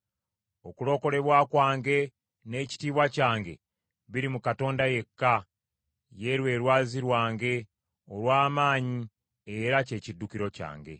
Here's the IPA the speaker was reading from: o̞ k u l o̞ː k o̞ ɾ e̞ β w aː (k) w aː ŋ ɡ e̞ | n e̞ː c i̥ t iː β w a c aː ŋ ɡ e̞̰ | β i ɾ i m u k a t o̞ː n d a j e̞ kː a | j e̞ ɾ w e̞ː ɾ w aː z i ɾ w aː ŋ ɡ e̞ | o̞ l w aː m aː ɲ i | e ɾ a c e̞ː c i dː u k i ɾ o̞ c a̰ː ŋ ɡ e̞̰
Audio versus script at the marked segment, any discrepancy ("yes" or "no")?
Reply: no